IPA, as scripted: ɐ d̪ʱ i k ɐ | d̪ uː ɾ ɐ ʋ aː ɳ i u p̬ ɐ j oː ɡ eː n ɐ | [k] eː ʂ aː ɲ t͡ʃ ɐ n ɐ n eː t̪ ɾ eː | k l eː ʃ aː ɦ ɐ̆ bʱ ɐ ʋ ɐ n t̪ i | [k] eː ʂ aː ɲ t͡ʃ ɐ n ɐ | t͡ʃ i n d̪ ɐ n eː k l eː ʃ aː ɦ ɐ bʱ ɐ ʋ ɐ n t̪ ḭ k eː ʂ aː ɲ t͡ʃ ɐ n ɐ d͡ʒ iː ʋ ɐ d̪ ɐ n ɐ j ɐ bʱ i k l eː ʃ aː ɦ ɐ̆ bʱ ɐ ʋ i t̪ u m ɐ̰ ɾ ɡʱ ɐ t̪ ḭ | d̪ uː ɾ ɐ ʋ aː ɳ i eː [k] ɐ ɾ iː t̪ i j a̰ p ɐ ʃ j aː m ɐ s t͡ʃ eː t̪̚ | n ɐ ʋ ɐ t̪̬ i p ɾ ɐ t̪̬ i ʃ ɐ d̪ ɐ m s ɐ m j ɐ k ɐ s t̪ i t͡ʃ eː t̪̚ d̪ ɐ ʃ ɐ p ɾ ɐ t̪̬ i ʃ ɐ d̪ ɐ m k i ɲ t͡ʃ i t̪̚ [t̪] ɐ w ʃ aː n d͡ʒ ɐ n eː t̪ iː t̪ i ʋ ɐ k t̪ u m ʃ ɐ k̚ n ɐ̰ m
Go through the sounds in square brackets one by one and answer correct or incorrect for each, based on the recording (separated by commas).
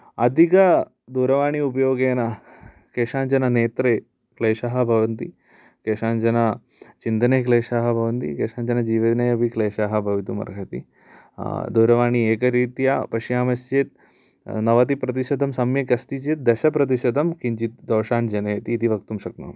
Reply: correct, correct, correct, incorrect